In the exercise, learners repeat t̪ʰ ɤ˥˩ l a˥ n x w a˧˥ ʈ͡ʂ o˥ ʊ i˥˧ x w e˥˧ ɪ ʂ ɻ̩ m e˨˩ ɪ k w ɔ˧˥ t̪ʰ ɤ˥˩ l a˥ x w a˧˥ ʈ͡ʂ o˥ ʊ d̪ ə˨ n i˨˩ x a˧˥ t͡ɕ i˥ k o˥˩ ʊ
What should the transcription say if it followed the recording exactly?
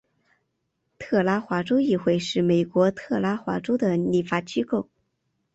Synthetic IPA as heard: t̪ʰ ɤ˥˩ l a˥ x w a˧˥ ʈ͡ʂ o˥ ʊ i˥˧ x w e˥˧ ɪ ʂ ɻ̩ m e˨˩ ɪ k w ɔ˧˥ t̪ʰ ɤ˥˩ l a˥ x w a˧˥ ʈ͡ʂ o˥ ʊ d̪ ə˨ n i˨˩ f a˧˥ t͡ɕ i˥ k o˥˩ ʊ